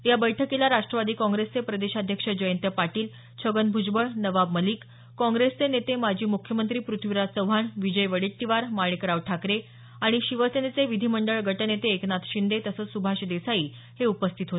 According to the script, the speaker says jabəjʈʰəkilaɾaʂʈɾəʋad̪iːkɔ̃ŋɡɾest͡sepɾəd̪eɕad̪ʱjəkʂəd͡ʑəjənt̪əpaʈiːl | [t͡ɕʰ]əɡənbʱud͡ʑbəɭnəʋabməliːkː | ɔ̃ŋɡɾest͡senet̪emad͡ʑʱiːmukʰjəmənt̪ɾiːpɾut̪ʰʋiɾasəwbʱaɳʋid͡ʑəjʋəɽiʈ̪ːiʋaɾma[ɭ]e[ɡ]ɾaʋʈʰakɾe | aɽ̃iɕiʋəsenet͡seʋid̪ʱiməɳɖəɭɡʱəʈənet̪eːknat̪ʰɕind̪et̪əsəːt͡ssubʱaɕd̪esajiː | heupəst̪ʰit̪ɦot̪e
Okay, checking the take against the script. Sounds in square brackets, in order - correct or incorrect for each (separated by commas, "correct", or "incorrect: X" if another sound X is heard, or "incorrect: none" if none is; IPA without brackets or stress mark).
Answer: correct, correct, incorrect: k